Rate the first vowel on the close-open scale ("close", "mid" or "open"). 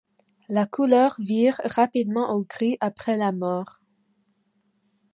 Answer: open